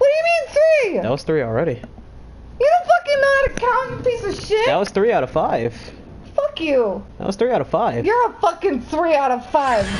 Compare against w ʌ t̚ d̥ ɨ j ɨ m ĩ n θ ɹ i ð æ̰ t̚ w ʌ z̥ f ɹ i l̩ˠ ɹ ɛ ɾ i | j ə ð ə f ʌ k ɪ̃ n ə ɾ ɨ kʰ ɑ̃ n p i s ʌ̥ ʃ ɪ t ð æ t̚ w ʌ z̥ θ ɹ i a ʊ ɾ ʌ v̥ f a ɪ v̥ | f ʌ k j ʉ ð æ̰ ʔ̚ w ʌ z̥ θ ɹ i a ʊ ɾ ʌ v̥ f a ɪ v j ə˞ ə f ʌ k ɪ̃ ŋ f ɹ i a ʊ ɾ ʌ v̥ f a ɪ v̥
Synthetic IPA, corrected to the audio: w ʌ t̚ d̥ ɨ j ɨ m ĩ n θ ɹ i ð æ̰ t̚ w ʌ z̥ θ ɹ i l̩ˠ ɹ ɛ ɾ i | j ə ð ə f ʌ k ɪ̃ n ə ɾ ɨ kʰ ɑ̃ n p i s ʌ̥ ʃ ɪ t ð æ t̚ w ʌ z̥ θ ɹ i a ʊ ɾ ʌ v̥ f a ɪ v̥ | f ʌ k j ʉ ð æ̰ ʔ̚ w ʌ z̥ θ ɹ i a ʊ ɾ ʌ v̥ f a ɪ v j ə˞ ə f ʌ k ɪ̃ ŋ θ ɹ i a ʊ ɾ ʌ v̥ f a ɪ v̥